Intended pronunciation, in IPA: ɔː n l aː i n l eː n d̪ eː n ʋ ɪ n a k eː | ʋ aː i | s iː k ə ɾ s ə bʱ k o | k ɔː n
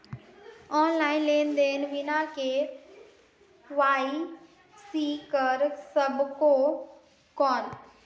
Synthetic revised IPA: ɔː n l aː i n l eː n d̪ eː n ʋ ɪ n a k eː | ʋ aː i | s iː k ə ɾ s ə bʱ k o | k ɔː n